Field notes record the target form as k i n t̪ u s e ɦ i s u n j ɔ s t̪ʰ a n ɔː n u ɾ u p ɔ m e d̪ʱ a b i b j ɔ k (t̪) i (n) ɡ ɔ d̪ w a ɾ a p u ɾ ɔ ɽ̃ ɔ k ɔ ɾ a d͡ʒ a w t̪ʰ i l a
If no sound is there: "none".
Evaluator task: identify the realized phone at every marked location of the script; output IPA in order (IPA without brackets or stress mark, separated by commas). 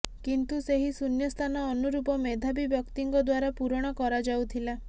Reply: t̪, ŋ